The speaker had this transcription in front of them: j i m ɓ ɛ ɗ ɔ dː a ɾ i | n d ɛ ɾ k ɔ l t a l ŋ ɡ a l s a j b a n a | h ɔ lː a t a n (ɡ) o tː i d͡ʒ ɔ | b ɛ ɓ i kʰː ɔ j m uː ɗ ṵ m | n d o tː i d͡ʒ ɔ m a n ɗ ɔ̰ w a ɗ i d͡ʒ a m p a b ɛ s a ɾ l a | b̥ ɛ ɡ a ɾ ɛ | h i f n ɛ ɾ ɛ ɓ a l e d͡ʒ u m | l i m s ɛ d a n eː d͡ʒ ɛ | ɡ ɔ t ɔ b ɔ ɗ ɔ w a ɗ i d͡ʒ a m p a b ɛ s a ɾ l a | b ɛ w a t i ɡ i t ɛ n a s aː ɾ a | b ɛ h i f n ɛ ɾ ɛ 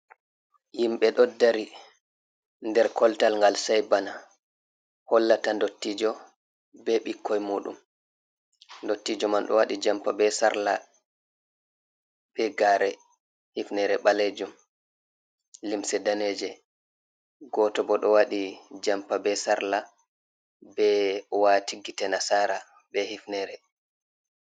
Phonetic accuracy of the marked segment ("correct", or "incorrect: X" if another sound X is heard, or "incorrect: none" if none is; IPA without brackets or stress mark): incorrect: d